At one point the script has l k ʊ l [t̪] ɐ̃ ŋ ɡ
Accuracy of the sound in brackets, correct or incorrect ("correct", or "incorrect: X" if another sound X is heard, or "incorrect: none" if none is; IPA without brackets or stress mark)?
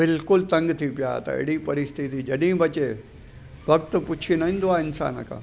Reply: correct